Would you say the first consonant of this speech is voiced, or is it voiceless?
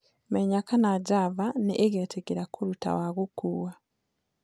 voiced